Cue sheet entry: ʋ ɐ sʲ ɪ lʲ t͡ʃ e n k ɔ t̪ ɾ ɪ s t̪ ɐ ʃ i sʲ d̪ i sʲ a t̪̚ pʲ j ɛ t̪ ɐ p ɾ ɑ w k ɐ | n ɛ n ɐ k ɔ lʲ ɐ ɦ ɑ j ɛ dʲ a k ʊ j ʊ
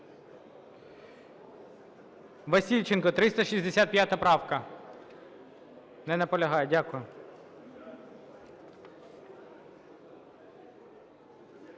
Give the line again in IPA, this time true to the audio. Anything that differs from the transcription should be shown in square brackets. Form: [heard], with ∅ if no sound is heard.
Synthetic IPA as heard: ʋ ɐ sʲ [i] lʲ t͡ʃ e n k ɔ t̪ ɾ ɪ s t̪ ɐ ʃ i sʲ d̪ [e] sʲ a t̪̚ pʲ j [a] t̪ ɐ p ɾ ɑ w k ɐ | n ɛ n ɐ [p] ɔ lʲ ɐ ɦ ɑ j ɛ dʲ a k ʊ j ʊ

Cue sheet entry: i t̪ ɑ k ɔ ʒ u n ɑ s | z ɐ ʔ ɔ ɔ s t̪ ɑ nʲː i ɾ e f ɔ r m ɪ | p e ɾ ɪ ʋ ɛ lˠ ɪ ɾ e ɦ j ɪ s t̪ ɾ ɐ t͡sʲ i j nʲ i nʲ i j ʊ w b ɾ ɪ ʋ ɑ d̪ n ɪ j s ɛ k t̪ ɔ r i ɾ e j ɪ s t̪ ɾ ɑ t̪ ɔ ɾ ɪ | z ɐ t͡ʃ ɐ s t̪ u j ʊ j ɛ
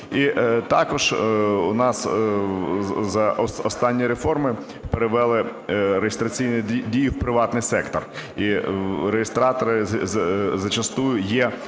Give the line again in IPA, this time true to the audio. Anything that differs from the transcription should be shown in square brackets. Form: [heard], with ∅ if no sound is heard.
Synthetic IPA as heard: i t̪ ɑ k ɔ ʒ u n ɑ s | z ɐ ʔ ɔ ɔ s t̪ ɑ nʲː i ɾ e f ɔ r m ɪ | p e ɾ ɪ ʋ ɛ lˠ ɪ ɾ e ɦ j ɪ s t̪ ɾ ɐ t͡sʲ i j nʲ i [dʲ] i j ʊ w [p] ɾ ɪ ʋ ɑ [t̪] n ɪ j s ɛ k t̪ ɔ r i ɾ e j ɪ s t̪ ɾ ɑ t̪ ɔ ɾ ɪ | z ɐ t͡ʃ ɐ s t̪ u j ʊ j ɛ

